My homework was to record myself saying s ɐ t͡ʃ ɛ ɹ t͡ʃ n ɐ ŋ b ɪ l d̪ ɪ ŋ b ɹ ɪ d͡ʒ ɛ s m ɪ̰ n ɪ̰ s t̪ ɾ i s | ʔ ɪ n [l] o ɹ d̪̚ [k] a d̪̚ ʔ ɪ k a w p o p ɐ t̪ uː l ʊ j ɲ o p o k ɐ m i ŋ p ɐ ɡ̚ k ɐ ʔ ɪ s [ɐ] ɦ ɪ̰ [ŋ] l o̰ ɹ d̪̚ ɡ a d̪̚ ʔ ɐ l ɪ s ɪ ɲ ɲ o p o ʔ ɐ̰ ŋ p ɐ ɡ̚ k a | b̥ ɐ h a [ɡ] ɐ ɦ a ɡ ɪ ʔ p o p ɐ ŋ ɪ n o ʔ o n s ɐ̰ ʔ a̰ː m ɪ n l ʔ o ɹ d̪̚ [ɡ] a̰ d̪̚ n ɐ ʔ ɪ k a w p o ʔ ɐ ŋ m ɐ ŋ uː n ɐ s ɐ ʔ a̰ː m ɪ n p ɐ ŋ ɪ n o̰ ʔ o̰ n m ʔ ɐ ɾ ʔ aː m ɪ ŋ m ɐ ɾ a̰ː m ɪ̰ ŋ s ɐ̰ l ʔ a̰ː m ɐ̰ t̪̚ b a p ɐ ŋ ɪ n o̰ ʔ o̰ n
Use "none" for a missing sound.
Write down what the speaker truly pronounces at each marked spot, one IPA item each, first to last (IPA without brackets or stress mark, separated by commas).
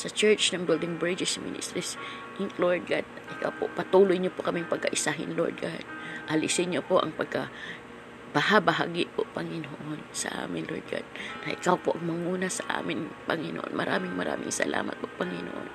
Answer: l, ɡ, a, n, b, ɡ